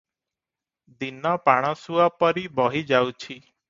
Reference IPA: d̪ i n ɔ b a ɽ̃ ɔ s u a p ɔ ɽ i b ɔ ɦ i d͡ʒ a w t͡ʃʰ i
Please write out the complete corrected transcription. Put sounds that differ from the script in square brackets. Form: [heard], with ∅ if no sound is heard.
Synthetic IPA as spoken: d̪ i n ɔ [p] a ɽ̃ ɔ s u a p ɔ [ɾ] i b ɔ ɦ i d͡ʒ a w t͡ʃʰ i